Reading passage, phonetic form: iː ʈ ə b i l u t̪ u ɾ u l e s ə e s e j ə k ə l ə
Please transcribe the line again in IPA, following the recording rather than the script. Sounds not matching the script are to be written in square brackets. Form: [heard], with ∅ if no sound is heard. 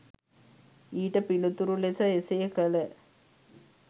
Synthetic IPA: iː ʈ ə [p] i l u t̪ u ɾ u l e s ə e s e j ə k ə l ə

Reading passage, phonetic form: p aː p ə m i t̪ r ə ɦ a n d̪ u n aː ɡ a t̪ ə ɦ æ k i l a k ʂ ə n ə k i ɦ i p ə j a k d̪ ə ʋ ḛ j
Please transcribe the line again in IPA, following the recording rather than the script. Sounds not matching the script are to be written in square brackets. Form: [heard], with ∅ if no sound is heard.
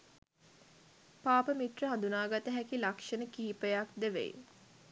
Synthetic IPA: p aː p ə m i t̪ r ə ɦ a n d̪ u n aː ɡ a t̪ ə ɦ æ k i l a k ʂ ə n ə k i ɦ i p ə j a k d̪ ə ʋ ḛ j

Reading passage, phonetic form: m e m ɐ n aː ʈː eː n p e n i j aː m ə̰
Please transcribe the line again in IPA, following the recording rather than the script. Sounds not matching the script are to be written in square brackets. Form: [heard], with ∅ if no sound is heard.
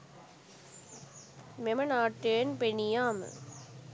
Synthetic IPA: m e m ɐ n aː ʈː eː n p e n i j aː m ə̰

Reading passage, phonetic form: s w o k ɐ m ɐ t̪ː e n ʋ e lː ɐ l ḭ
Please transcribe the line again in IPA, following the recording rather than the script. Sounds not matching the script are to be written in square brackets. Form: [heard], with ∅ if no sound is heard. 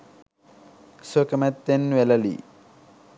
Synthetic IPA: s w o k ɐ m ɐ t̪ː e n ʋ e [l] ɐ l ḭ

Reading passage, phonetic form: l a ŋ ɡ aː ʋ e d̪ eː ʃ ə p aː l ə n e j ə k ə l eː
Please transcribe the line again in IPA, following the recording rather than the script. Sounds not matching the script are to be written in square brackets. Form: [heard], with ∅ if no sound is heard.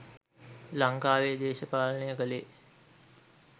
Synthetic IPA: l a ŋ [k] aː ʋ e d̪ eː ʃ ə p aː l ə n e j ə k ə l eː

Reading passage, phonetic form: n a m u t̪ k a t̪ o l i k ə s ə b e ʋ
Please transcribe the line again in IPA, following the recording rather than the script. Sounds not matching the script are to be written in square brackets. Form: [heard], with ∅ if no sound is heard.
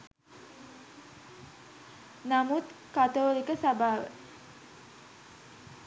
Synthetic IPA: n a m u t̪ k a t̪ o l i k ə s [a] b [a] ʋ

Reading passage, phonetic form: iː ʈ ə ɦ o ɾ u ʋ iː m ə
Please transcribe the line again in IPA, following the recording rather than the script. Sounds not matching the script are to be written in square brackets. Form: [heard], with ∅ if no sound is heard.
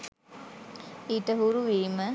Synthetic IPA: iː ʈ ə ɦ [u] ɾ u ʋ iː m ə

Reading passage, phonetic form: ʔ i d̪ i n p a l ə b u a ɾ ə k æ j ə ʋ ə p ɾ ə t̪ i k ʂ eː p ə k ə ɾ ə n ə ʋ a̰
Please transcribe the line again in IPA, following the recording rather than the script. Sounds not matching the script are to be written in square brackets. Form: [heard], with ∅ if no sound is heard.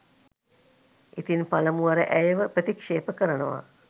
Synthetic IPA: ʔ i [t̪] i n p a l ə [m] u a ɾ ə [ʔ] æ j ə ʋ ə p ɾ ə t̪ i k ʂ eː p ə k ə ɾ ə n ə ʋ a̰

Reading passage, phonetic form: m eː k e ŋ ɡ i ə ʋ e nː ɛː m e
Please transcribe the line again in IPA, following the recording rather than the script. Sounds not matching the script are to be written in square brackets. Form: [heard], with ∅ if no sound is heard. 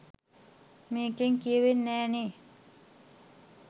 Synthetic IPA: m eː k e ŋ [k] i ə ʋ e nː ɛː [n] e

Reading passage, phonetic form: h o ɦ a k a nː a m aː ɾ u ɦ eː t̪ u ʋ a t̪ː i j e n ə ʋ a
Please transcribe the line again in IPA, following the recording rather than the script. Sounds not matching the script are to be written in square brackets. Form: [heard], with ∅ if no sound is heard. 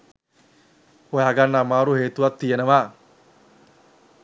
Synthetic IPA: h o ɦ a [ɡ] a nː a m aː ɾ u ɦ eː t̪ u ʋ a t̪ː i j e n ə ʋ a

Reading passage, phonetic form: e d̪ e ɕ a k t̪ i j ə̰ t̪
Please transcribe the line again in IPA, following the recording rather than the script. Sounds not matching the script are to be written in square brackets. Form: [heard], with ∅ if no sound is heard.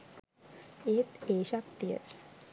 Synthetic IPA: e [t̪] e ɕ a k t̪ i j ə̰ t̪

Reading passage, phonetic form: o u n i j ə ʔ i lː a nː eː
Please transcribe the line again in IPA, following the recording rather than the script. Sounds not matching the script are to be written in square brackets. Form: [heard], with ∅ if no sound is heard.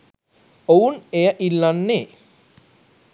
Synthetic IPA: o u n [e] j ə ʔ i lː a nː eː

